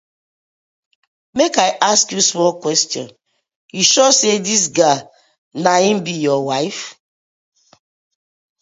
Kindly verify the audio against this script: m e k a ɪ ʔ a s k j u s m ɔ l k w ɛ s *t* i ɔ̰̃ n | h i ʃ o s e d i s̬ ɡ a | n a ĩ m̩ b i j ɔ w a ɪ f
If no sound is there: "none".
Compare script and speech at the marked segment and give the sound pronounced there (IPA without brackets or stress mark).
t